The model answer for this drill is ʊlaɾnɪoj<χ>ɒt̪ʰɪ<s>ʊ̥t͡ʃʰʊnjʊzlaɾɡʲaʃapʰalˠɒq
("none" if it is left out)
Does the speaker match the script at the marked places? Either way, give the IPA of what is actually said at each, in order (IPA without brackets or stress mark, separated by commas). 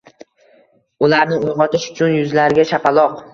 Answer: ʁ, ʃ